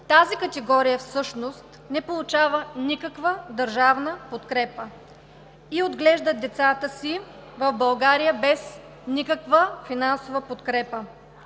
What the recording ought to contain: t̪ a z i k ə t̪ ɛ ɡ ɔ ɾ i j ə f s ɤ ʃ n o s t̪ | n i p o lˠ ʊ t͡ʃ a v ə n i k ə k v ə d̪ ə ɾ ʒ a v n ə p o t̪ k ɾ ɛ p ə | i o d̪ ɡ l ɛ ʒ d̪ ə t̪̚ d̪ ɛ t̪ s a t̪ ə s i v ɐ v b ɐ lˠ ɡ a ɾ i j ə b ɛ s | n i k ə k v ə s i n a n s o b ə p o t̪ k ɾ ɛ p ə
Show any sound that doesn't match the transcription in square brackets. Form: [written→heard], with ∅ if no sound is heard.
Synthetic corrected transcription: t̪ a z i k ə t̪ ɛ ɡ ɔ ɾ i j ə f s ɤ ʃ n o s t̪ | n [i→ɛ] p o lˠ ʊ t͡ʃ a v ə n i k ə k v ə d̪ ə ɾ ʒ a v n ə p o t̪ k ɾ ɛ p ə | i o d̪ ɡ l ɛ ʒ d̪ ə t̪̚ d̪ ɛ t̪ s a t̪ ə s i v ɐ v b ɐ lˠ ɡ a ɾ i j ə b ɛ s | n i k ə k v ə [s→f] i n a n s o [b→v] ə p o t̪ k ɾ ɛ p ə

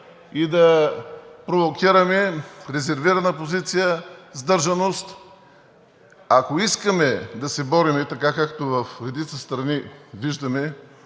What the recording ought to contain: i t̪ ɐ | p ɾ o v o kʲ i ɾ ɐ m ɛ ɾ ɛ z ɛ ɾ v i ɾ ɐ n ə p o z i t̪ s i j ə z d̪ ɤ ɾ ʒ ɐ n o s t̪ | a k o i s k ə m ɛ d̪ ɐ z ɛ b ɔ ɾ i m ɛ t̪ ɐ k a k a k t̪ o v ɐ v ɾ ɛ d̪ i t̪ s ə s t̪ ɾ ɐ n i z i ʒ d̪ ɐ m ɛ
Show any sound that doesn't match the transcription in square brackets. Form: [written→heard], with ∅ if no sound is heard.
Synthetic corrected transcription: i [t̪→d̪] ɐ | p ɾ o v o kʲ i ɾ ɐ m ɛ ɾ ɛ z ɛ ɾ v i ɾ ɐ n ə p o z i t̪ s i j ə z d̪ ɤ ɾ ʒ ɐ n o s t̪ | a k o i s k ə m ɛ d̪ ɐ [z→s] ɛ b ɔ ɾ i m ɛ t̪ ɐ k a k a k t̪ o v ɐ [v→f] ɾ ɛ d̪ i t̪ s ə s t̪ ɾ ɐ n i [z→v] i ʒ d̪ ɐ m ɛ

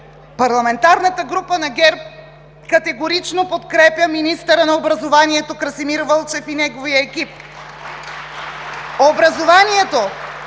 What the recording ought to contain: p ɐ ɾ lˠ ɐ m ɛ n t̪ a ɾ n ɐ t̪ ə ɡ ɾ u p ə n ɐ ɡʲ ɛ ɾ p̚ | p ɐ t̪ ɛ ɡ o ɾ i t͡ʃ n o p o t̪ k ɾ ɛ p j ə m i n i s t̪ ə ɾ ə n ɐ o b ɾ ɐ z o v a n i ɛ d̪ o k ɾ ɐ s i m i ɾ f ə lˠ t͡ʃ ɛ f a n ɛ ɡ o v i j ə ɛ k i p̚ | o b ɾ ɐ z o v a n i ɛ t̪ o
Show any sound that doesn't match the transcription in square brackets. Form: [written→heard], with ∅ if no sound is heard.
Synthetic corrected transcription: p ɐ ɾ lˠ ɐ m ɛ n t̪ a ɾ n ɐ t̪ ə ɡ ɾ u p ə n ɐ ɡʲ ɛ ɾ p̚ | [p→k] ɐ t̪ ɛ ɡ o ɾ i t͡ʃ n o p o t̪ k ɾ ɛ p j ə m i n i s t̪ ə ɾ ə n ɐ o b ɾ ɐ z o v a n i ɛ [d̪→t̪] o k ɾ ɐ s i m i ɾ [f→v] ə lˠ t͡ʃ ɛ f [a→i] n ɛ ɡ o v i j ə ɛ k i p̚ | o b ɾ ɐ z o v a n i ɛ t̪ o

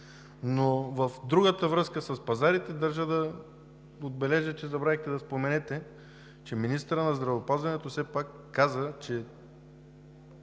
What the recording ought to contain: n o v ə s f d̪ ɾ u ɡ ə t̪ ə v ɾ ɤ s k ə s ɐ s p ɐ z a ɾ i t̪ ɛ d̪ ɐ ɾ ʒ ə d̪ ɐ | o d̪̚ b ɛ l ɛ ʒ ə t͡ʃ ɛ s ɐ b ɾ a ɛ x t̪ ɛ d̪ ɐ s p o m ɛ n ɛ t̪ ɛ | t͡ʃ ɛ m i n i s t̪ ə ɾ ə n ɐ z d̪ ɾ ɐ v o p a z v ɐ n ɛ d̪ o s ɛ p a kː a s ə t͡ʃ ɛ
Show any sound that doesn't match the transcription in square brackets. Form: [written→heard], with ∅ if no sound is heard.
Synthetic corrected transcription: n o v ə [s→∅] f d̪ ɾ u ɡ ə t̪ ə v ɾ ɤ s k ə s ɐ s p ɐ z a ɾ i t̪ ɛ d̪ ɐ ɾ ʒ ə d̪ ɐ | o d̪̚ b ɛ l ɛ ʒ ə t͡ʃ ɛ [s→z] ɐ b ɾ a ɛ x t̪ ɛ d̪ ɐ s p o m ɛ n ɛ t̪ ɛ | t͡ʃ ɛ m i n i s t̪ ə ɾ ə n ɐ z d̪ ɾ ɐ v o p a z v ɐ n ɛ [d̪→t̪] o s ɛ p a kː a [s→z] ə t͡ʃ ɛ

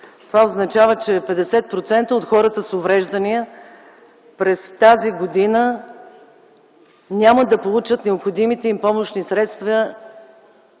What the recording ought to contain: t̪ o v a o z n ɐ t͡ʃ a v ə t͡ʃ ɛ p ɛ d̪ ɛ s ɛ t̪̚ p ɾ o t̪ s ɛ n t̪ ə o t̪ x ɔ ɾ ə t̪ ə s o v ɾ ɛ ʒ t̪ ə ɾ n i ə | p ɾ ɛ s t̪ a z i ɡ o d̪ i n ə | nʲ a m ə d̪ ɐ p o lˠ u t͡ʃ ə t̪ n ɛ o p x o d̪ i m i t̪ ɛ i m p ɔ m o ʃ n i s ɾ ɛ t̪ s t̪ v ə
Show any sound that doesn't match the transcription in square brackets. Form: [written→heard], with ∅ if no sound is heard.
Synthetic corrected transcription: t̪ o v a o z n ɐ t͡ʃ a v ə t͡ʃ ɛ p ɛ d̪ ɛ s ɛ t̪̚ p ɾ o t̪ s ɛ n t̪ ə o t̪ x ɔ ɾ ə t̪ ə s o v ɾ ɛ ʒ [t̪→d̪] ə [ɾ→∅] n i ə | p ɾ ɛ s t̪ a z i ɡ o d̪ i n ə | nʲ a m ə d̪ ɐ p o lˠ u t͡ʃ ə t̪ n ɛ o p x o d̪ i m i t̪ ɛ i m p ɔ m o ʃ n i s ɾ ɛ t̪ s t̪ v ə

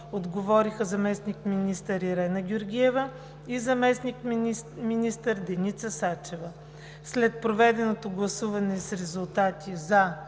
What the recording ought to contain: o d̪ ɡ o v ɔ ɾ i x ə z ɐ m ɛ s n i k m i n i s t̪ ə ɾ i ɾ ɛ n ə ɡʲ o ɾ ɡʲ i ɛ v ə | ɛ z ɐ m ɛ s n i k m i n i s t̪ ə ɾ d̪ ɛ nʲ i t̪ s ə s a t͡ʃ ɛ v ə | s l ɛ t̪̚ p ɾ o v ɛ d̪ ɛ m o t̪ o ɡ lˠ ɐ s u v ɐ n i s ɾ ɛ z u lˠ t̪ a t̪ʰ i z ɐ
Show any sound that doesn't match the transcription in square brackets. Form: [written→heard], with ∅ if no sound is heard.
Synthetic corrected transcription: o d̪ ɡ o v ɔ ɾ i x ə z ɐ m ɛ s n i k m i n i s t̪ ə ɾ i ɾ ɛ n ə ɡʲ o ɾ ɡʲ i ɛ v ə | [ɛ→i] z ɐ m ɛ s n i k m i n i s t̪ ə ɾ d̪ ɛ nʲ i t̪ s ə s a t͡ʃ ɛ v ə | s l ɛ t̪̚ p ɾ o v ɛ d̪ ɛ [m→n] o t̪ o ɡ lˠ ɐ s u v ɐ n [i→ɛ] s ɾ ɛ z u lˠ t̪ a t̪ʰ i z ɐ

